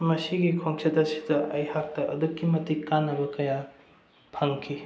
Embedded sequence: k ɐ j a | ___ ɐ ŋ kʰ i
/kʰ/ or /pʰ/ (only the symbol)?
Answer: pʰ